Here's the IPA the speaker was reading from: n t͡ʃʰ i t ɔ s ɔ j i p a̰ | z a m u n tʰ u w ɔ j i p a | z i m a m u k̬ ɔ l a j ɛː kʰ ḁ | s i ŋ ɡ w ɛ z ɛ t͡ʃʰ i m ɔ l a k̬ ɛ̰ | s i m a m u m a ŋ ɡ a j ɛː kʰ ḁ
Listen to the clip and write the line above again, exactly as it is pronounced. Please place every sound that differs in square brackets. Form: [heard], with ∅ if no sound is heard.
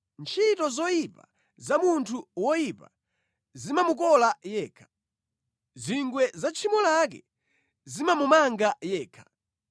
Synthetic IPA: n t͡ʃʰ i t ɔ [z] ɔ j i p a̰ | z a m u n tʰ u w ɔ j i p a | z i m a m u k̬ ɔ l a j ɛː kʰ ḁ | [z] i ŋ ɡ w ɛ z [a] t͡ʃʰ i m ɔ l a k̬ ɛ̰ | [z] i m a m u m a ŋ ɡ a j ɛː kʰ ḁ

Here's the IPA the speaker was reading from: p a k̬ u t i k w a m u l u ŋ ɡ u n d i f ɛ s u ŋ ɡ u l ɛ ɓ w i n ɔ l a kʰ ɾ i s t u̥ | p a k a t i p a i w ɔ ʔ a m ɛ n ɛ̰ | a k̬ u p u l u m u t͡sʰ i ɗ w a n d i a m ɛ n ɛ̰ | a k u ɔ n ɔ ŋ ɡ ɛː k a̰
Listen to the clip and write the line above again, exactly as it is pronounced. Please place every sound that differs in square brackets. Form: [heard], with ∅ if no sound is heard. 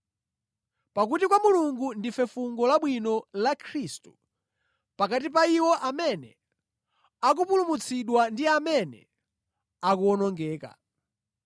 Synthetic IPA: p a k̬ u t i k w a m u l u ŋ ɡ u n d i f ɛ [f] u ŋ ɡ [ɔ] l [a] ɓ w i n ɔ l a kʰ ɾ i s t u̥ | p a k a t i p a i w ɔ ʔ a m ɛ n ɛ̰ | a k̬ u p u l u m u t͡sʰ i ɗ w a n d i a m ɛ n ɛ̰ | a k u ɔ n ɔ ŋ ɡ ɛː k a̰

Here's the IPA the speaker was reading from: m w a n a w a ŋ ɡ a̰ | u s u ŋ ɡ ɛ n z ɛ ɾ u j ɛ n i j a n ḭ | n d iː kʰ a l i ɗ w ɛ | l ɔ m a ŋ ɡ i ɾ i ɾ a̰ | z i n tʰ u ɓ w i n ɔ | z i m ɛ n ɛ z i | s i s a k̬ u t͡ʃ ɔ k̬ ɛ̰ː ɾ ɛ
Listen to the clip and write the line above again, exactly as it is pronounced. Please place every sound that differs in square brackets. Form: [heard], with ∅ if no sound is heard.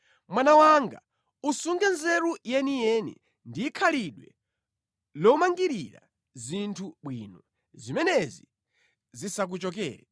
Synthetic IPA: m w a n a w a ŋ ɡ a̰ | u s u ŋ ɡ ɛ n z ɛ ɾ u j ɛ n i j [ɛ] n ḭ | n d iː kʰ a l i ɗ w ɛ | l ɔ m a ŋ ɡ i ɾ i ɾ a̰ | z i n tʰ u ɓ w i n ɔ | z i m ɛ n ɛ z i | [z] i s a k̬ u t͡ʃ ɔ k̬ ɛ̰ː ɾ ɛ

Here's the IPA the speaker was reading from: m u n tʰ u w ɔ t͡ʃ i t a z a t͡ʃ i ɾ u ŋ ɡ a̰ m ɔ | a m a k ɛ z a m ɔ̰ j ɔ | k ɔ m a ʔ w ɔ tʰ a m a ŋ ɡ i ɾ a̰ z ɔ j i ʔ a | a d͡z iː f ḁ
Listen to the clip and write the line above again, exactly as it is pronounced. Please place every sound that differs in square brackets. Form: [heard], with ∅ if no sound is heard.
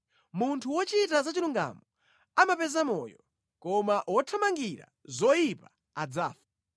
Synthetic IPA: m u n tʰ u w ɔ t͡ʃ i t a z a t͡ʃ i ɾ u ŋ ɡ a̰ m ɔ | a m a [p] ɛ z a m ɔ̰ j ɔ | k ɔ m a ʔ w ɔ tʰ a m a ŋ ɡ i ɾ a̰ z ɔ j i [p] a | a d͡z [aː] f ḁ

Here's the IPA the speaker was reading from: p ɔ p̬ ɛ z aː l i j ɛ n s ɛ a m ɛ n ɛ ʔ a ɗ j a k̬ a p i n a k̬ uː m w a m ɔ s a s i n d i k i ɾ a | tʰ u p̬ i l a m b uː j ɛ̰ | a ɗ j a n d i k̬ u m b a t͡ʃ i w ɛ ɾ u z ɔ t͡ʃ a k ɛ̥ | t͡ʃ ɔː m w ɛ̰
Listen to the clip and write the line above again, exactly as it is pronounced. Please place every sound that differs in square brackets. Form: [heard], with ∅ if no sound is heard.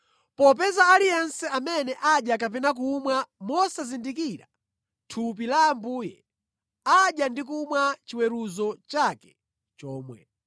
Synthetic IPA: p ɔ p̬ ɛ z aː l i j ɛ n s ɛ a m ɛ n ɛ ʔ a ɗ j a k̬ a p [ɛ] n a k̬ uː m w a m ɔ s a [z] i n d i k i ɾ a | tʰ u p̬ i l a m b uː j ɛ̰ | a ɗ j a n d i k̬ u m [w] a t͡ʃ i w ɛ ɾ u z ɔ t͡ʃ a k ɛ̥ | t͡ʃ ɔː m w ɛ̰

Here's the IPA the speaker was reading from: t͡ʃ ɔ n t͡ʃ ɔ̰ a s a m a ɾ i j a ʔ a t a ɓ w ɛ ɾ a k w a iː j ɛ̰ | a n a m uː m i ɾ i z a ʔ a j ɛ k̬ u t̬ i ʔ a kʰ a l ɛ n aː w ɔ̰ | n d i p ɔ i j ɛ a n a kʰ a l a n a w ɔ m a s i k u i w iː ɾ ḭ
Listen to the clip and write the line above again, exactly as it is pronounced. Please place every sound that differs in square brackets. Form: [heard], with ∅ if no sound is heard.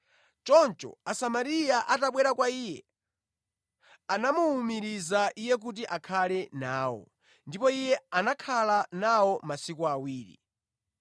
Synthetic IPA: t͡ʃ ɔ n t͡ʃ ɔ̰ a s a m a ɾ i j a ʔ a t a ɓ w ɛ ɾ a k w a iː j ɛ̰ | a n a m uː m i ɾ i z a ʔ [i] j ɛ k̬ u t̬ i ʔ a kʰ a l ɛ n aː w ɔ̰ | n d i p ɔ i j ɛ a n a kʰ a l a n a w ɔ m a s i k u [a] w iː ɾ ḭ

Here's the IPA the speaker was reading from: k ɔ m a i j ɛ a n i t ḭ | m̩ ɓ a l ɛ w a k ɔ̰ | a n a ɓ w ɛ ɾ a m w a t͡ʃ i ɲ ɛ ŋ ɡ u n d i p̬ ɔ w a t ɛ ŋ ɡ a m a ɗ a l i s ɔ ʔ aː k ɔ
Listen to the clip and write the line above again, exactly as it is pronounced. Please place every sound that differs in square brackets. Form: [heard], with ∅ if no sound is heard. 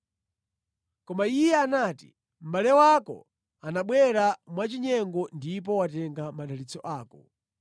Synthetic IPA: k ɔ m a i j ɛ a n [a] t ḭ | m̩ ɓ a l ɛ w a k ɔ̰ | a n a ɓ w ɛ ɾ a m w a t͡ʃ i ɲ ɛ ŋ ɡ [ɔ] n d i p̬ ɔ w a t ɛ ŋ ɡ a m a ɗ a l i [t͡s] ɔ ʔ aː k ɔ

